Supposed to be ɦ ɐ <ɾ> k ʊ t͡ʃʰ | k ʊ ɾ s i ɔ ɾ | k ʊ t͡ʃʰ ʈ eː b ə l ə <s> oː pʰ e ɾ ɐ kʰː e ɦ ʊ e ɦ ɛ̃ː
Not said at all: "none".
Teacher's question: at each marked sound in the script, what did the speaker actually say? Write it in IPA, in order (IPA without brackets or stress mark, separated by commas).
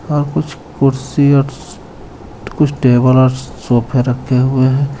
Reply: ɾ, s